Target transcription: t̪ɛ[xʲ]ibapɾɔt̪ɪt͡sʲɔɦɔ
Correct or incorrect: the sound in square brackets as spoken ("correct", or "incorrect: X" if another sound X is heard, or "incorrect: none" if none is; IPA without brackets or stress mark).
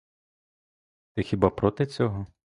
correct